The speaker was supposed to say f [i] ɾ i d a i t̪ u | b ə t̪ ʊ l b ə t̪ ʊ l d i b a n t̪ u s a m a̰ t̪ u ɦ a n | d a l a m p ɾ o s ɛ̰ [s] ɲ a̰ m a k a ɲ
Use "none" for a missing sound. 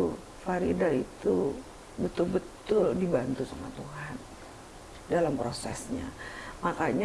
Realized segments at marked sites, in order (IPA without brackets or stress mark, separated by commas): a, s